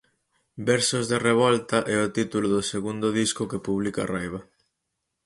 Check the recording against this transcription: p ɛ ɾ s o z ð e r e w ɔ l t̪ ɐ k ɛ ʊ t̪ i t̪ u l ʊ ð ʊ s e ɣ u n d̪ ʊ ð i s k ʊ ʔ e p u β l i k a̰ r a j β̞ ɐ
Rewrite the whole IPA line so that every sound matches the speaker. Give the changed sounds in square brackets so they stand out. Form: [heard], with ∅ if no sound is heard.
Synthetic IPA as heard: [b] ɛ ɾ s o z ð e r e [β] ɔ l t̪ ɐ [ʔ] ɛ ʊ t̪ i t̪ u l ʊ ð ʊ s e ɣ u n d̪ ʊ ð i s k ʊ [k] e p u β l i k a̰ r a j β̞ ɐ